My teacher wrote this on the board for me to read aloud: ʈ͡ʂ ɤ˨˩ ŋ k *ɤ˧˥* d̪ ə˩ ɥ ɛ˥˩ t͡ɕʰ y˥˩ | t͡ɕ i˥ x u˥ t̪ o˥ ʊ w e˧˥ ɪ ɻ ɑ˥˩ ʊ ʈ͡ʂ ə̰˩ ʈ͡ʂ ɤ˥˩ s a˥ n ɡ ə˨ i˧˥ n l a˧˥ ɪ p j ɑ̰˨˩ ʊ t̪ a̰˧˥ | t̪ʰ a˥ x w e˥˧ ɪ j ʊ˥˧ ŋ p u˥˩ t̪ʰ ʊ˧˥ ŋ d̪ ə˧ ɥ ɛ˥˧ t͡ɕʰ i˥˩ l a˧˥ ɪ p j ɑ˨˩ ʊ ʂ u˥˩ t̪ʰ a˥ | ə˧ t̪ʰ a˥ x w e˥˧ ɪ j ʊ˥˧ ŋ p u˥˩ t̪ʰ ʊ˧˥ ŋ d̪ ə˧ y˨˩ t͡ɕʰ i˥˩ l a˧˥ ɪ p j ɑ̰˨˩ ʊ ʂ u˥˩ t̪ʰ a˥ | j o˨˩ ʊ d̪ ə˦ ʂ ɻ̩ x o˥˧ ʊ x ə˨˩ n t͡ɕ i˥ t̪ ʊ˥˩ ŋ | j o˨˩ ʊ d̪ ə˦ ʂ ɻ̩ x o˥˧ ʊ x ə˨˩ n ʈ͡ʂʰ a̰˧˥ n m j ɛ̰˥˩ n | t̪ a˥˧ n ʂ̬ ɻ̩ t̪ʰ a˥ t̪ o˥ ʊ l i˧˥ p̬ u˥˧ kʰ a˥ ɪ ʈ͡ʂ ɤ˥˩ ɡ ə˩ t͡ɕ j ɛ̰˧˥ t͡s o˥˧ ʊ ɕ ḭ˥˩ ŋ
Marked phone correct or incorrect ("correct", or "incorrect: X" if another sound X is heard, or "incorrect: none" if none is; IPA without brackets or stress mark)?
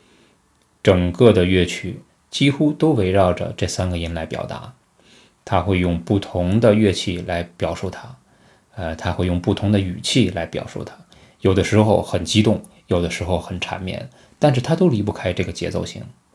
incorrect: ɤ˥˩